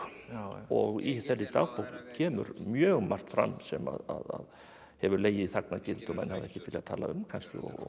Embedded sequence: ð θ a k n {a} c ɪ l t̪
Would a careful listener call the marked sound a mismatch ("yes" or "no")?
no